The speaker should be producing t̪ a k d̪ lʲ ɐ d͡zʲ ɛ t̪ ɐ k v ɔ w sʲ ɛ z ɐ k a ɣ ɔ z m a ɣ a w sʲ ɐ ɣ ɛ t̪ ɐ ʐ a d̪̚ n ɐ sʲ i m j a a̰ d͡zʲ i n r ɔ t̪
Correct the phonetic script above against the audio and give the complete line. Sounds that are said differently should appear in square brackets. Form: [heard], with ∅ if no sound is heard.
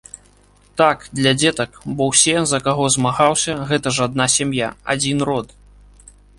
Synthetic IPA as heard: t̪ a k d̪ lʲ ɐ d͡zʲ ɛ t̪ ɐ k [b] ɔ w sʲ ɛ z ɐ k a ɣ ɔ z m a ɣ a w sʲ ɐ ɣ ɛ t̪ ɐ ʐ a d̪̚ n [a] sʲ [a] m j a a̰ d͡zʲ i n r ɔ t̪